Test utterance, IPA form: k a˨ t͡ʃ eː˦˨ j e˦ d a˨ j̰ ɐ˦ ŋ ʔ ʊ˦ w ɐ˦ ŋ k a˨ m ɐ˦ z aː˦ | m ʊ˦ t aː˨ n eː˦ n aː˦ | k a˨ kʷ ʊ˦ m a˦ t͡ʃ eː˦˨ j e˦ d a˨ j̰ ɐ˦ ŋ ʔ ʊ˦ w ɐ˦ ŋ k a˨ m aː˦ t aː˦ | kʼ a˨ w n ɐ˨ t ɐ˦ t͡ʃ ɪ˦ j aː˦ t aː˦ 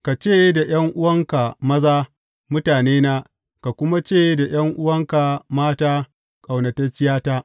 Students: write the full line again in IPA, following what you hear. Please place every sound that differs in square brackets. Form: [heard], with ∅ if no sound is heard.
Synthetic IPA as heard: k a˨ t͡ʃ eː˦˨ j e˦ d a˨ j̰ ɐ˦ ŋ ʔ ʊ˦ w ɐ˦ ŋ k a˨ m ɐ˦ z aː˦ | m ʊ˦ t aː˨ n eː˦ n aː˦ | k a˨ kʷ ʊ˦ m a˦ t͡ʃ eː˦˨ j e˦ d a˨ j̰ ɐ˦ ŋ ʔ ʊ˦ w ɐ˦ ŋ k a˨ m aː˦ t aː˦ | kʼ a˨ w n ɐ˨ t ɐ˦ t͡ʃ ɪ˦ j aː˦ t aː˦